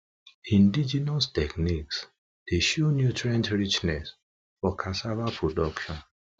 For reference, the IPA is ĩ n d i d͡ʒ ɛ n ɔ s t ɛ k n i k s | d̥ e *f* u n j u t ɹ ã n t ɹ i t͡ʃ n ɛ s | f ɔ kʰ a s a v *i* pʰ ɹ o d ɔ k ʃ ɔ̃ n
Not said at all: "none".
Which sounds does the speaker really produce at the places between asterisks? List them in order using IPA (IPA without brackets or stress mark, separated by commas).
ʃ, a